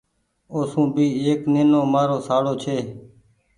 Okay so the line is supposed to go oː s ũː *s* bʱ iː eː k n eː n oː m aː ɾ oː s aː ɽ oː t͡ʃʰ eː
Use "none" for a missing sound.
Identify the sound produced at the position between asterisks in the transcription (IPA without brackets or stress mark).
none